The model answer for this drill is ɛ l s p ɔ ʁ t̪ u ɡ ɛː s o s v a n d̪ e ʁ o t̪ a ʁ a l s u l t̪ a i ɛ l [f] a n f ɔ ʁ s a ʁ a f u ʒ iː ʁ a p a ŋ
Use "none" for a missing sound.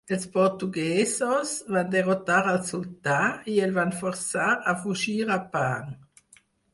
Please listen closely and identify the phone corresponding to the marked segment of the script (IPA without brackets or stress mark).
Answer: v